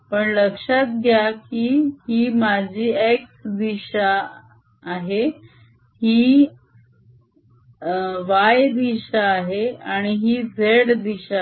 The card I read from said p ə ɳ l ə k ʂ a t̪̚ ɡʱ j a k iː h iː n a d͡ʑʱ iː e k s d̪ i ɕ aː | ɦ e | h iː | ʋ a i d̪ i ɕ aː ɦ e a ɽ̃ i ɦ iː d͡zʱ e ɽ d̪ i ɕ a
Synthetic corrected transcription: p ə ɳ l ə k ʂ a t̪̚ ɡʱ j a k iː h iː m a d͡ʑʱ iː e k s d̪ i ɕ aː | ɦ e | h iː | ʋ a j d̪ i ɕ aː ɦ e a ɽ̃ i ɦ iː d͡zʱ e ɽ d̪ i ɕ a

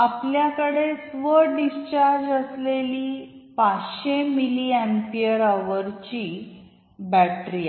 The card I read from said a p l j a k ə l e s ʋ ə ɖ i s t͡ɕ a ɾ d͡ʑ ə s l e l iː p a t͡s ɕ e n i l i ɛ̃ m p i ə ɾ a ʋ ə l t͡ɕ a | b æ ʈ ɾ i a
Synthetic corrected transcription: a p l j a k ə ɽ e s ʋ ə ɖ i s t͡ɕ a ɾ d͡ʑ ə s l e l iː p a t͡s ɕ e m i l i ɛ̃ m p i ə ɾ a ʋ ə ɾ t͡ɕ i | b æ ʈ ɾ i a

